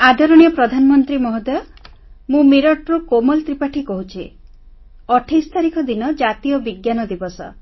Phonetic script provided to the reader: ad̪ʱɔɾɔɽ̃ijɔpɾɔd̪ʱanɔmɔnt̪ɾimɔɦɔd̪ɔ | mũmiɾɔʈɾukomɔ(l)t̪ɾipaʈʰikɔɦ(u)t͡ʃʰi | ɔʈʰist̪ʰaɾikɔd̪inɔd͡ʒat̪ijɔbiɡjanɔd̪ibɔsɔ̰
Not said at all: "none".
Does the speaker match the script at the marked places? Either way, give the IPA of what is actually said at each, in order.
l, u

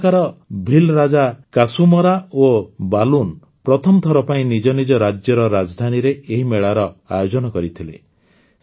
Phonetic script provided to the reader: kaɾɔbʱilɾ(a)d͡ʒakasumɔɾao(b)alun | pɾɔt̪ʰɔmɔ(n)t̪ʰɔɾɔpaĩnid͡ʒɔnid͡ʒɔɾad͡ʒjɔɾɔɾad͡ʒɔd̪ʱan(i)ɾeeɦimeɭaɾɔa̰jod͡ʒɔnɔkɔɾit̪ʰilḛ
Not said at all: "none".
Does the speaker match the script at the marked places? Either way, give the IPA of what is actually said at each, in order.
a, b, none, i

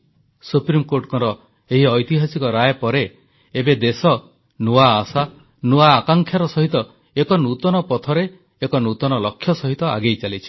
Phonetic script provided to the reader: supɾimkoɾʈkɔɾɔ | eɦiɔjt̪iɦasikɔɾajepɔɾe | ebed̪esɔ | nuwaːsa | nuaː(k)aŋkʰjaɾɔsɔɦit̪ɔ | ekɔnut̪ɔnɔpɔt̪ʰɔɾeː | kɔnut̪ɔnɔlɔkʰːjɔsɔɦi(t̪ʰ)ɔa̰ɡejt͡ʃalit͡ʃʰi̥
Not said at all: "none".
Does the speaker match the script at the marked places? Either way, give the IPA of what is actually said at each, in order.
k, t̪

